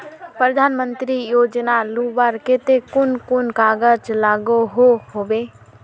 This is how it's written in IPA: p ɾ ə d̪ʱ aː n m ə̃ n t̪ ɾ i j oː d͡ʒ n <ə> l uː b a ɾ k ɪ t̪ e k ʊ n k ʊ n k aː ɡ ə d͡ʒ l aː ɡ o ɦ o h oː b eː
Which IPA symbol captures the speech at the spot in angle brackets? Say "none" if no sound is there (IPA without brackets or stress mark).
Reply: a